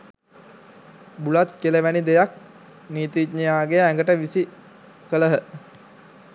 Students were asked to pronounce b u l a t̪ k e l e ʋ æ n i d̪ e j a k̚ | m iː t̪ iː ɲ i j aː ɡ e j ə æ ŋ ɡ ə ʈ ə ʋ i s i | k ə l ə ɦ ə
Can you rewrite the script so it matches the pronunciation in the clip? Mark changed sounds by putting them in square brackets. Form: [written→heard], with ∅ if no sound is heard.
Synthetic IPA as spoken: b u l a t̪ k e l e ʋ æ n i d̪ e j a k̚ | [m→n] iː t̪ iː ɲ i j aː ɡ e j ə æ ŋ ɡ ə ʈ ə ʋ i s i | k ə l ə ɦ ə